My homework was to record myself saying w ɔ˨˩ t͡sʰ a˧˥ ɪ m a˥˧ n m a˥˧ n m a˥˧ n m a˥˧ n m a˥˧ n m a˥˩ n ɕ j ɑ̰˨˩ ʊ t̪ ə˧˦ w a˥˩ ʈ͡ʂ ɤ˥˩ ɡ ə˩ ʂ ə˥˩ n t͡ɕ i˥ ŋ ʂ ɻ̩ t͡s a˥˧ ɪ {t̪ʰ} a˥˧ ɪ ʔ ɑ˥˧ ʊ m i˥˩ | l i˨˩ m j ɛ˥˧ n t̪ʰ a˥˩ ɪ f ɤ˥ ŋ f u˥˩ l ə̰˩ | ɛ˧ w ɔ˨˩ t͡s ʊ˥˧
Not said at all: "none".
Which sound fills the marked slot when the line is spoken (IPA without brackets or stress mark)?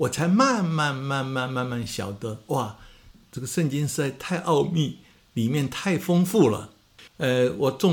t̪ʰ